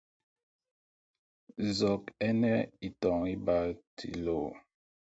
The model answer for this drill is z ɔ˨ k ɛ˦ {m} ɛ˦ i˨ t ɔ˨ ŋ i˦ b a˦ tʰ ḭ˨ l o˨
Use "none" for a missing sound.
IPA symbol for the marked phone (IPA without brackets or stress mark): n